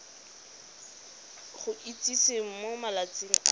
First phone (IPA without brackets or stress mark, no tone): χ